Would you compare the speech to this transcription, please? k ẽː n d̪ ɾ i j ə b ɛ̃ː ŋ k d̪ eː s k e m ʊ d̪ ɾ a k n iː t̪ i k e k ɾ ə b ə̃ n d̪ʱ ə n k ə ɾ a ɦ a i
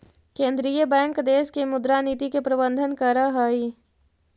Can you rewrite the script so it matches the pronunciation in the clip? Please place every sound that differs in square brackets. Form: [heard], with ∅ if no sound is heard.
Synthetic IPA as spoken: k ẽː n d̪ ɾ i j ə b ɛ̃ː ŋ k d̪ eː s k e m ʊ d̪ ɾ a [∅] n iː t̪ i k e [p] ɾ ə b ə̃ n d̪ʱ ə n k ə ɾ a ɦ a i